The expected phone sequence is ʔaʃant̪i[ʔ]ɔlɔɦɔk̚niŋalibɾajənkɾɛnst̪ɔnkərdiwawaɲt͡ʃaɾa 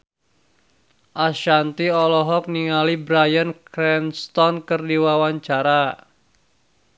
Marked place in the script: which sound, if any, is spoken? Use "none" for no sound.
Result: none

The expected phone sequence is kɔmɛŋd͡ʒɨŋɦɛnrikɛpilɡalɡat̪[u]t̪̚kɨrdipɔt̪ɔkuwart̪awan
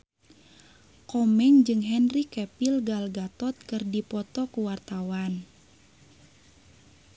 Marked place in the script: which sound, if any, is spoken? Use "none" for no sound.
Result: ɔ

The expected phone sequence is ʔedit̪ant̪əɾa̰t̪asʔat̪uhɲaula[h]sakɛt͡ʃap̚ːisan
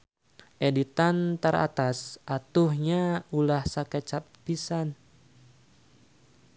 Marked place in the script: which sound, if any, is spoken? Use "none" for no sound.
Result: h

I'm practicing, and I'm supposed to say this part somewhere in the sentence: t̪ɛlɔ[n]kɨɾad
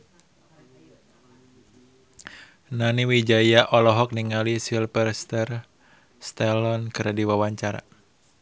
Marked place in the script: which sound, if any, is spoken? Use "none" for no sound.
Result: n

